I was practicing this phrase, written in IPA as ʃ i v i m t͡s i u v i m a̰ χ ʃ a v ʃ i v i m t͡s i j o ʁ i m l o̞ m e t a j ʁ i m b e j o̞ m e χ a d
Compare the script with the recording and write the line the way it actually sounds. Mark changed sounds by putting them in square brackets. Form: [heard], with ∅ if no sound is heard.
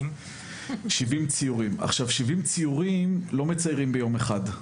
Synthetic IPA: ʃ i v i m t͡s i u [ʁ] i m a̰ χ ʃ a v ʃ i v i m t͡s i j [u] ʁ i m l o̞ m e [t͡s] a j ʁ i m b e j o̞ m e χ a d